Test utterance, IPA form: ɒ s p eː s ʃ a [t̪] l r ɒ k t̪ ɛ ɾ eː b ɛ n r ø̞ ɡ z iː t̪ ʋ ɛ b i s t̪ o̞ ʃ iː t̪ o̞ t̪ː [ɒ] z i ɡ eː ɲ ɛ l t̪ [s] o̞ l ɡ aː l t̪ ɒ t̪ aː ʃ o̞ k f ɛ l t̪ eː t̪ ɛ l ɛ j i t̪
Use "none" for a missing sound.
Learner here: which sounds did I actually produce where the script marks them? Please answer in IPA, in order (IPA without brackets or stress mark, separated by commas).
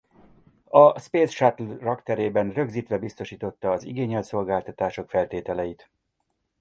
t̪, ɒː, s